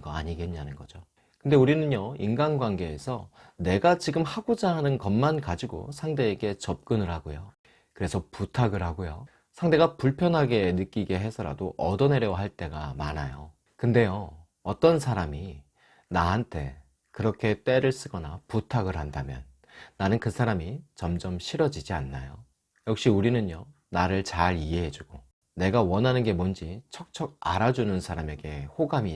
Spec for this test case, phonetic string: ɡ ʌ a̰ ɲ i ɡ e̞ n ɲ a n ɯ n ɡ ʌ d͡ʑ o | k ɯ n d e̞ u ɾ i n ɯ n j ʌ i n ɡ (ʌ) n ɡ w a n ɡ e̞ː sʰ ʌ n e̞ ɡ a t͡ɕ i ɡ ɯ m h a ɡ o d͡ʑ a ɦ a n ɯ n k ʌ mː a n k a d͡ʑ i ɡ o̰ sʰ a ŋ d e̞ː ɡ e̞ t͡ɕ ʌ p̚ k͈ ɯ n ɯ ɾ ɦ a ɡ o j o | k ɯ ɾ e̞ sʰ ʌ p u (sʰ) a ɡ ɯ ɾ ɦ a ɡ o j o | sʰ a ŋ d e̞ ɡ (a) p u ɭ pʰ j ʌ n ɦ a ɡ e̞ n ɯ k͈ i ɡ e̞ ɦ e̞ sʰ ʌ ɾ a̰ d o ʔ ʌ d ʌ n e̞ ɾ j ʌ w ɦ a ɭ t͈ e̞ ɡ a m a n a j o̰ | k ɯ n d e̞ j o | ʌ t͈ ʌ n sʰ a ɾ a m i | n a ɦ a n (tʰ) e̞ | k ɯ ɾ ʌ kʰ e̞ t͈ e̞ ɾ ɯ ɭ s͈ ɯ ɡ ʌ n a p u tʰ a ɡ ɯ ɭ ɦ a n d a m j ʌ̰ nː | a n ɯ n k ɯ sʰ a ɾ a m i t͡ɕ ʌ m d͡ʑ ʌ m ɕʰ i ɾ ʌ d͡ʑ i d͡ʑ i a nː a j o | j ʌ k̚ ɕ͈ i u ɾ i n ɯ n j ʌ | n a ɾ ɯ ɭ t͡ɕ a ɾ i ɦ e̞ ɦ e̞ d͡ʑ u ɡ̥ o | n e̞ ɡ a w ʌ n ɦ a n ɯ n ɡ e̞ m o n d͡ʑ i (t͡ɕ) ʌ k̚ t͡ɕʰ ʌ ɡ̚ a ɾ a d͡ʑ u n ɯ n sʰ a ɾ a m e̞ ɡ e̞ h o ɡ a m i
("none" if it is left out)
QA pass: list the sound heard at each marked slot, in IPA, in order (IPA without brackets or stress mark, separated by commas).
a, tʰ, a, tʰ, t͡ɕʰ